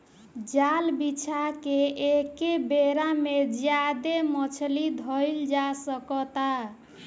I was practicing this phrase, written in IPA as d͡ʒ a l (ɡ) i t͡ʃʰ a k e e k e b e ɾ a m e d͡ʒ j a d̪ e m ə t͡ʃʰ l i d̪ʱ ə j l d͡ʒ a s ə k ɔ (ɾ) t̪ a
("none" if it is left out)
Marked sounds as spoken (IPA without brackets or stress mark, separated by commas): b, none